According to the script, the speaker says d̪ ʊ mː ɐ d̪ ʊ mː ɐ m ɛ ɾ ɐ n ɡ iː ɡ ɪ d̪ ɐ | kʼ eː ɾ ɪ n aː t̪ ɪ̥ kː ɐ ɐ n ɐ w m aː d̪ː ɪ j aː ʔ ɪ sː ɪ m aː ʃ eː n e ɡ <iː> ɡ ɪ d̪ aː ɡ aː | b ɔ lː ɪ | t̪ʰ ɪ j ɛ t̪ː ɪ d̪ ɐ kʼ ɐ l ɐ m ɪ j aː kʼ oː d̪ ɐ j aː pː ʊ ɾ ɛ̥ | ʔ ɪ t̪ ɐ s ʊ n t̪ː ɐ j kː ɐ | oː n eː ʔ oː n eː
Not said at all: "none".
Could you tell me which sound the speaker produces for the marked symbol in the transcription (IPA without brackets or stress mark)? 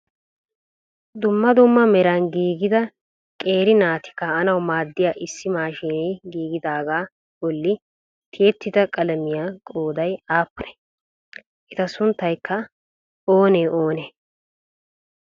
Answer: iː